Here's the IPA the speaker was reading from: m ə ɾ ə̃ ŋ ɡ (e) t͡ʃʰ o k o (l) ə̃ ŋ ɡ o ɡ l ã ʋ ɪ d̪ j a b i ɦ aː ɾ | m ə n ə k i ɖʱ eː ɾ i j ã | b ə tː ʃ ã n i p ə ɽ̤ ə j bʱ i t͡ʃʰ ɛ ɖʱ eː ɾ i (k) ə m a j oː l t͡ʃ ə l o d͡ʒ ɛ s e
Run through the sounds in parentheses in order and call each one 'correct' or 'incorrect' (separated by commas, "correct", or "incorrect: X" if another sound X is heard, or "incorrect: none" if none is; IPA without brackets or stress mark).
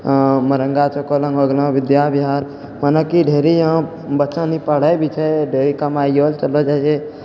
incorrect: a, correct, correct